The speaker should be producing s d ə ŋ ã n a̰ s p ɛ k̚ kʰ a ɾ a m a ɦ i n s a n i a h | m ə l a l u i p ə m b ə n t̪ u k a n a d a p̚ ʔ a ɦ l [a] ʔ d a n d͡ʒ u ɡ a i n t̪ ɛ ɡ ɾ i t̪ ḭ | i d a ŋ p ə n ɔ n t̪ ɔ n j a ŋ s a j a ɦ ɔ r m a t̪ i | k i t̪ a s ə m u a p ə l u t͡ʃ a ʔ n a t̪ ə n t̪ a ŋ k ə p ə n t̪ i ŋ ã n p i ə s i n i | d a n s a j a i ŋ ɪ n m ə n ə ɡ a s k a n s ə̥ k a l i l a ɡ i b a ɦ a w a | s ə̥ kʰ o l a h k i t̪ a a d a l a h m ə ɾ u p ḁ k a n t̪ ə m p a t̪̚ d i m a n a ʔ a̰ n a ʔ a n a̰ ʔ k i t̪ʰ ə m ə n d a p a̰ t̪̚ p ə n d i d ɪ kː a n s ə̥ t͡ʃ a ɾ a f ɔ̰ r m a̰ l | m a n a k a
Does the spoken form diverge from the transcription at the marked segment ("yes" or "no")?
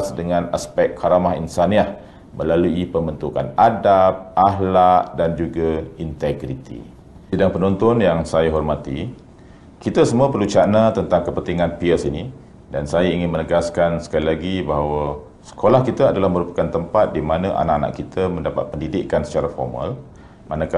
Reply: no